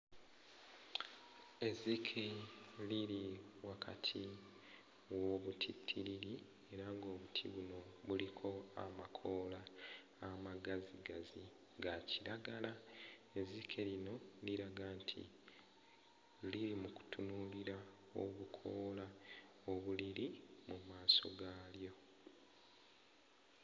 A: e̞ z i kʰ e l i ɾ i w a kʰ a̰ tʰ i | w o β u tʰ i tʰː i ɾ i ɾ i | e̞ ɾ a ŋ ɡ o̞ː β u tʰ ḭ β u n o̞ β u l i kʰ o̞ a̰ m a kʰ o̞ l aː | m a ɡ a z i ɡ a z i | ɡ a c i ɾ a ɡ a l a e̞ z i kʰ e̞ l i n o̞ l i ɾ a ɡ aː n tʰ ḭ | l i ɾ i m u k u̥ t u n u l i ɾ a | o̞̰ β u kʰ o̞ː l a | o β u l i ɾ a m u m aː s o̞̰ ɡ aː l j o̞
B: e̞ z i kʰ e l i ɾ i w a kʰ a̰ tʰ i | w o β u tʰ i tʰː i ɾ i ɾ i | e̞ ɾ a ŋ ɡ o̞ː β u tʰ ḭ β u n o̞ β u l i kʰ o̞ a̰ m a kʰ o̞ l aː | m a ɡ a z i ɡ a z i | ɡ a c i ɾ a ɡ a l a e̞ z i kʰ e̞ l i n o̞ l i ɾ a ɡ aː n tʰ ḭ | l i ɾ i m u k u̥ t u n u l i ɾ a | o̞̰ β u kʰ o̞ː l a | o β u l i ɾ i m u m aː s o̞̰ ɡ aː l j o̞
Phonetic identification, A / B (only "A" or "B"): B